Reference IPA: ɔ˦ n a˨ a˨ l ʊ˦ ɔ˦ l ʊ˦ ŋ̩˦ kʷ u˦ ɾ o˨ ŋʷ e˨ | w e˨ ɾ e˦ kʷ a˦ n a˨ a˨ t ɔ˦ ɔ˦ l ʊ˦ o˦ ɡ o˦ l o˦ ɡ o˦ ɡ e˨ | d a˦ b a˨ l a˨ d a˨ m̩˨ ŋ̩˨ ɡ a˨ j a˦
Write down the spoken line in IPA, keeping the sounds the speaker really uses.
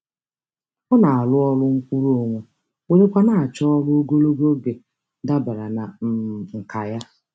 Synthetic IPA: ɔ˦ n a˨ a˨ l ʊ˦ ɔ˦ l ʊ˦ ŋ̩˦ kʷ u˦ ɾ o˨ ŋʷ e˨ | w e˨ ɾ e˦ kʷ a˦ n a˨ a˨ t͡ʃ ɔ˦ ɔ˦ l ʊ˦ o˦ ɡ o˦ l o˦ ɡ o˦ ɡ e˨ | d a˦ b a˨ ɾ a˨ n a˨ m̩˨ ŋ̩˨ k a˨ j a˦